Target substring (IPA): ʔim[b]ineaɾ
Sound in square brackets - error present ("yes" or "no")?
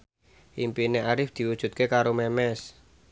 yes